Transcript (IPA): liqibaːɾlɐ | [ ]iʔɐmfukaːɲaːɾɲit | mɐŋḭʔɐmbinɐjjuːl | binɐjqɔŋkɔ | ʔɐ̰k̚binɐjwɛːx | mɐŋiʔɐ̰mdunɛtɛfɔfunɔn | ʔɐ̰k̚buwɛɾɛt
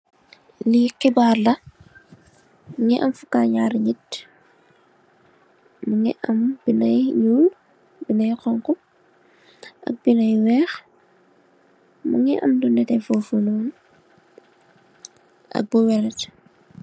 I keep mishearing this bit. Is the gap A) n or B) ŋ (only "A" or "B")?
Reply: B